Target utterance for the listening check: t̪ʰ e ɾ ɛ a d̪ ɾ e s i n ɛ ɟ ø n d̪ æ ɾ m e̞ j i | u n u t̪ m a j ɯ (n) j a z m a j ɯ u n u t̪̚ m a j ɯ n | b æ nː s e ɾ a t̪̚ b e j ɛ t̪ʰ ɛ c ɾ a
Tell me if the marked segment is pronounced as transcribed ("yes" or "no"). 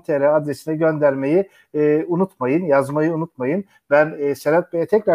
yes